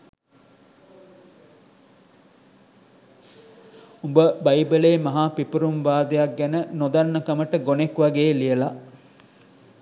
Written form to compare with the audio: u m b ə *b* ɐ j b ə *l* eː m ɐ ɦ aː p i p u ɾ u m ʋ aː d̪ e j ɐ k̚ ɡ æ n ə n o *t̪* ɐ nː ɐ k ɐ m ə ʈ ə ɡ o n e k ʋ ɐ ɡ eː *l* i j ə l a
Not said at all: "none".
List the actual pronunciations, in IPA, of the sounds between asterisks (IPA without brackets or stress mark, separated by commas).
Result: b, l, d̪, l